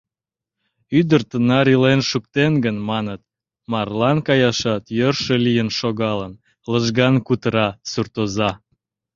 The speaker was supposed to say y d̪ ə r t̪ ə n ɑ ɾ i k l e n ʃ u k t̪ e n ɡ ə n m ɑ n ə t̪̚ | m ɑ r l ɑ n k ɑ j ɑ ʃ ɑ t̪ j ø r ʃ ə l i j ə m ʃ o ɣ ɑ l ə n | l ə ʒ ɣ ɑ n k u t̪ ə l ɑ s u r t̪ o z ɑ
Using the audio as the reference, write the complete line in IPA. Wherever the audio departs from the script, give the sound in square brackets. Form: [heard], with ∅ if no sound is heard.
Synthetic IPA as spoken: y d̪ ə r t̪ ə n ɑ ɾ i [∅] l e n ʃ u k t̪ e n ɡ ə n m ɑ n ə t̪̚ | m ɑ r l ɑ n k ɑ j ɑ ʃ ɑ t̪ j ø r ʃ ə l i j ə [n] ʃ o ɣ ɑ l ə n | l ə ʒ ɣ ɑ n k u t̪ ə [ɾ] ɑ s u r t̪ o z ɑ